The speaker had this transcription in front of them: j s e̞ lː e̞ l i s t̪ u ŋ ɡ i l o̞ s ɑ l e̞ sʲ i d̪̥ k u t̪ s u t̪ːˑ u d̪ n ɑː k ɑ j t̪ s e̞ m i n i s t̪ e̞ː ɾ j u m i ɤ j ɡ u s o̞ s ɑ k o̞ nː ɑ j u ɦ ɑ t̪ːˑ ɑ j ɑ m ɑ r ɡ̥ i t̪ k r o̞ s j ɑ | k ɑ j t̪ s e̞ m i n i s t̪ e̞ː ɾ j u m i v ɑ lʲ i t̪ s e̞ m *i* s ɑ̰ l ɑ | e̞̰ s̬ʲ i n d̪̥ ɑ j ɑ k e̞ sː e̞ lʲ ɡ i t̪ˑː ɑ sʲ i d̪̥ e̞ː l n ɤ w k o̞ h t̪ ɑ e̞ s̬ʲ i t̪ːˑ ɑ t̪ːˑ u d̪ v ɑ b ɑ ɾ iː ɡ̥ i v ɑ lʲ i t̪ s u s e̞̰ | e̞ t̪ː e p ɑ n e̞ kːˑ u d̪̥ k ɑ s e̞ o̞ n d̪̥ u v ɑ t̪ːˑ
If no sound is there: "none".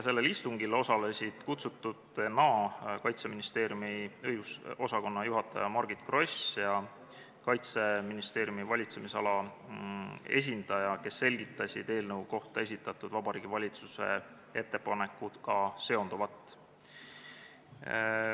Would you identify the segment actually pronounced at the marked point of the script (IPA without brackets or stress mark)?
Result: i